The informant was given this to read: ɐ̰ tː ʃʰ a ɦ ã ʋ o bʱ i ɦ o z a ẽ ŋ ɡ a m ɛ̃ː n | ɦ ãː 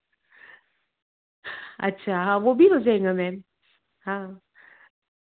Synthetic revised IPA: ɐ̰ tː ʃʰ a ɦ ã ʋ o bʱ i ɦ o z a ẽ ŋ ɡ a m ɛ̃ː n | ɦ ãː